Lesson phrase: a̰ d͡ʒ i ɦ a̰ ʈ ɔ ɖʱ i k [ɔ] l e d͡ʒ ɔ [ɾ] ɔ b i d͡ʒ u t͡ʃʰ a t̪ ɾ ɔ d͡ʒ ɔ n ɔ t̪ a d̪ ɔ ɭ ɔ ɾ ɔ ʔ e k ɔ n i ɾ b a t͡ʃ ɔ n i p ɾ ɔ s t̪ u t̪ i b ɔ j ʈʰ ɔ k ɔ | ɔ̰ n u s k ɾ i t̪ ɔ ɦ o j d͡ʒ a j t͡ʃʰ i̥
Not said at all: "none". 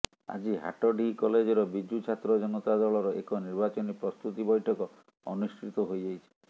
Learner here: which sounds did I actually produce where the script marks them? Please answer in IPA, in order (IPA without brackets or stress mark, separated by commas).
ɔ, ɾ